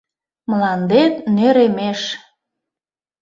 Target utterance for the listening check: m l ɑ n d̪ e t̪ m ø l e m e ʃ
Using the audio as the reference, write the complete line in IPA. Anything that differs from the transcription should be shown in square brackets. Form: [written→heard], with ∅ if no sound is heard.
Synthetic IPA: m l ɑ n d̪ e t̪ [m→n] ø [l→ɾ] e m e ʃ